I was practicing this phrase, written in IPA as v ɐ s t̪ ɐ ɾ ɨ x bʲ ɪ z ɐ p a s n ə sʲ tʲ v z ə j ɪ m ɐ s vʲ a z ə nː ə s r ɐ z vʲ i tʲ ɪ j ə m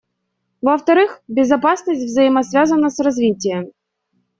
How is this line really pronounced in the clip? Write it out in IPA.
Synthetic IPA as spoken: v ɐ f t̪ ɐ ɾ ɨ x bʲ ɪ z ɐ p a s n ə sʲ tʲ v z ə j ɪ m ɐ s vʲ a z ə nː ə s r ɐ z vʲ i tʲ ɪ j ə m